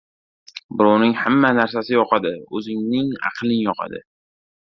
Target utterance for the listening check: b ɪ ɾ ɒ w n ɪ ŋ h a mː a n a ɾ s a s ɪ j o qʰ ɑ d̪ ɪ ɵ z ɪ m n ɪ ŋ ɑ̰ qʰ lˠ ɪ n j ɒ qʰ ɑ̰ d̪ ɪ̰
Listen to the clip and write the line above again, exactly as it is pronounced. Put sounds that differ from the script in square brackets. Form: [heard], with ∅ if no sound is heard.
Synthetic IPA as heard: b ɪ ɾ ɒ w n ɪ ŋ h a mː a n a ɾ s a s ɪ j [ɒ] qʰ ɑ d̪ ɪ ɵ z ɪ [ŋ] n ɪ ŋ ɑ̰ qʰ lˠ ɪ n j ɒ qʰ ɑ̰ d̪ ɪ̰